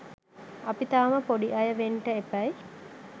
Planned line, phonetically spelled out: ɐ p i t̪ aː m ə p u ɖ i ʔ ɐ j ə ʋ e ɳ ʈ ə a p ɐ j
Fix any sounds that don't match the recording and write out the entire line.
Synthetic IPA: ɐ p i t̪ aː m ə p o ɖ i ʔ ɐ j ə ʋ e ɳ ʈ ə e p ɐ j